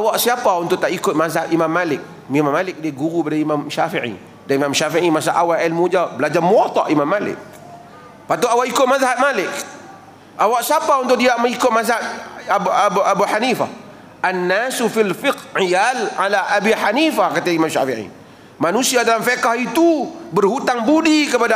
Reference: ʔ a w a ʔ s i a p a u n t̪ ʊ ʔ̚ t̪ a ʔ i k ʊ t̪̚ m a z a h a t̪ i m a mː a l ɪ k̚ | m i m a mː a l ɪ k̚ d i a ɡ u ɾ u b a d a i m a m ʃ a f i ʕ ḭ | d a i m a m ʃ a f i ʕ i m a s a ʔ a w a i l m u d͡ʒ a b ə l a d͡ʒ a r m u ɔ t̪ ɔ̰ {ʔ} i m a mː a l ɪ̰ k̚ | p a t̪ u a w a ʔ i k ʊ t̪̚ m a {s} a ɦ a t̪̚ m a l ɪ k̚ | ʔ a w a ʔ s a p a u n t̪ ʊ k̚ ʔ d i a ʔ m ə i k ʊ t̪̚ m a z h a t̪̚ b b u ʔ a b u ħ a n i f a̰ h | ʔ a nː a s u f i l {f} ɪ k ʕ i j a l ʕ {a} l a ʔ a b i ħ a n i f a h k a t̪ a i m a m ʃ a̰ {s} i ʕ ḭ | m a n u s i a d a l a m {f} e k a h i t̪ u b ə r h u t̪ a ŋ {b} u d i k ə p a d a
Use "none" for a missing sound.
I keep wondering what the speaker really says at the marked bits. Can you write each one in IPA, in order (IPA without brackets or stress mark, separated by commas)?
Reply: ʔ, z, f, a, f, f, b